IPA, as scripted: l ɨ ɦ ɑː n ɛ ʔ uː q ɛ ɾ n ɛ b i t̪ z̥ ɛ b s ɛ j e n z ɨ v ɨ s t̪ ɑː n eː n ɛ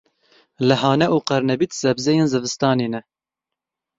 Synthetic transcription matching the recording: l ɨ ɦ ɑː n ɛ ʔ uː q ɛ ɾ n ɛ b i t̪ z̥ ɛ b z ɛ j e n z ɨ v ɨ s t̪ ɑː n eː n ɛ